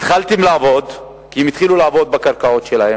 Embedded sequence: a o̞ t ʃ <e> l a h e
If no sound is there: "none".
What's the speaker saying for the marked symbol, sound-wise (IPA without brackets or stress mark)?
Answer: e